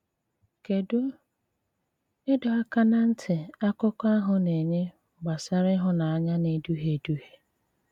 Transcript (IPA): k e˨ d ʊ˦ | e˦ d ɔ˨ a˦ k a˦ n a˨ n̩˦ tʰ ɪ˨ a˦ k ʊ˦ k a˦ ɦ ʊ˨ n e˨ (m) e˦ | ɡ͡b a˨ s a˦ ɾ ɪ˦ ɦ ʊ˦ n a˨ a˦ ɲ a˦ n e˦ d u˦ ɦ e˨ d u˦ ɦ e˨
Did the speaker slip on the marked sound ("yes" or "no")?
yes